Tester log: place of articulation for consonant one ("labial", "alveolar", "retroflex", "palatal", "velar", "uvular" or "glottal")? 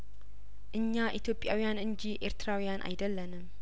glottal